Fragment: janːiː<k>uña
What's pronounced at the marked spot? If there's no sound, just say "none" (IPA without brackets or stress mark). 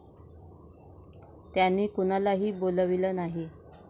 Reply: k